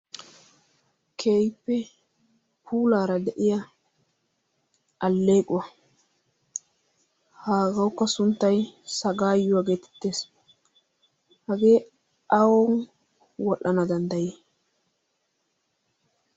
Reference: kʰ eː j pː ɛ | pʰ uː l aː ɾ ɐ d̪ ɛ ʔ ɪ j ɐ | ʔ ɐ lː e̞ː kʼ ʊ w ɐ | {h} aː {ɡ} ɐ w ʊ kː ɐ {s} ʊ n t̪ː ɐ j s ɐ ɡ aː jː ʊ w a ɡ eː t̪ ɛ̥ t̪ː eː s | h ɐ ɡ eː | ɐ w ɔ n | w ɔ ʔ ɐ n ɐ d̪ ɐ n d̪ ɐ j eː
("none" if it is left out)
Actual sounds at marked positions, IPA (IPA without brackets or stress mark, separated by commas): h, ɡ, s